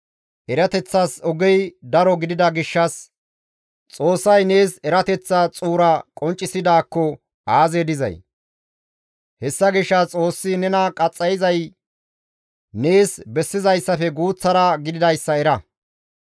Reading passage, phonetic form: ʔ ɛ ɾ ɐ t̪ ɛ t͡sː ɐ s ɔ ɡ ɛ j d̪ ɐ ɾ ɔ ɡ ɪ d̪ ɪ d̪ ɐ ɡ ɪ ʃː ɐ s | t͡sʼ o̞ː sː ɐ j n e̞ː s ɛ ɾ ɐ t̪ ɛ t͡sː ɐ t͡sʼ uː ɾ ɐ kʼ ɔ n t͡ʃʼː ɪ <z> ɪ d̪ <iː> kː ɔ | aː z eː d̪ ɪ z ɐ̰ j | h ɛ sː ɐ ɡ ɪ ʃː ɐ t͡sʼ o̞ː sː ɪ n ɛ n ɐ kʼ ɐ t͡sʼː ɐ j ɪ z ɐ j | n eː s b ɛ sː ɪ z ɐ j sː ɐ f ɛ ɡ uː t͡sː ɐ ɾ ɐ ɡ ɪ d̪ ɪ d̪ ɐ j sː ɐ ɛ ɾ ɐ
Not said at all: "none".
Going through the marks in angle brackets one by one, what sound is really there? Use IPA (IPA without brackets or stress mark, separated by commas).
s, aː